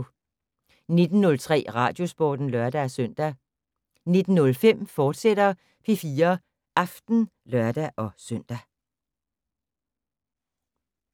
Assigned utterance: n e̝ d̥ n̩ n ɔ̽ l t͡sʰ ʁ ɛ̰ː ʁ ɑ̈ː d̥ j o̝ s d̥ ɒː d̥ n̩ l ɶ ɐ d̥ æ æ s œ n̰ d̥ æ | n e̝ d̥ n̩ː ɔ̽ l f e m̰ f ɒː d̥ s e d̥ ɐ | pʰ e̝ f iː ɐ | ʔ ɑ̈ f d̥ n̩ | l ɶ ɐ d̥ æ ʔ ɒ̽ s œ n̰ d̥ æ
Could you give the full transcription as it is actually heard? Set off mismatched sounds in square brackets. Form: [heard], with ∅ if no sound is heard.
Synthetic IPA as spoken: n e̝ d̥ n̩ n ɔ̽ l t͡sʰ ʁ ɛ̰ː ʁ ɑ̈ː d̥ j o̝ s [b̥] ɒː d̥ n̩ l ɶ ɐ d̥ æ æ s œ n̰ d̥ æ | n e̝ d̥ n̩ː ɔ̽ l f e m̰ f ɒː d̥ s e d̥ ɐ | pʰ e̝ f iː ɐ | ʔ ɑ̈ f d̥ n̩ | l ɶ ɐ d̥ æ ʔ ɒ̽ s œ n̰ d̥ æ